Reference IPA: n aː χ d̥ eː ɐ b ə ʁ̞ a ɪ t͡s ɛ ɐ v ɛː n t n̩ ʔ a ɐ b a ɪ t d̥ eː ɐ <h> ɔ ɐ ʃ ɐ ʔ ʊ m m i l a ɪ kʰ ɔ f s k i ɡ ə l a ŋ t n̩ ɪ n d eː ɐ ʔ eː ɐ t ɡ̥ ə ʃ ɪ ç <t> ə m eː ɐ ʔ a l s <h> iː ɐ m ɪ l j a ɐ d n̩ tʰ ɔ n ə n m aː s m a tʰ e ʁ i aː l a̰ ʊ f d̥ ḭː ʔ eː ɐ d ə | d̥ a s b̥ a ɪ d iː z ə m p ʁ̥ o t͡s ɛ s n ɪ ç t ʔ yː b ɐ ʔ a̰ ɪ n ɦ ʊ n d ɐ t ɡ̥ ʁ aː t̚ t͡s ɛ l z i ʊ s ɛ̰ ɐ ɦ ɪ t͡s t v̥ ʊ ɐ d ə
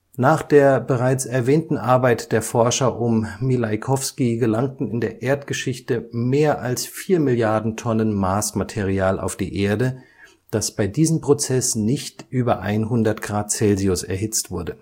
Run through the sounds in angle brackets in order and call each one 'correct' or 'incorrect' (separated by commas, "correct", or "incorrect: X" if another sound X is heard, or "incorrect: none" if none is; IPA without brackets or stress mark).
incorrect: f, correct, incorrect: f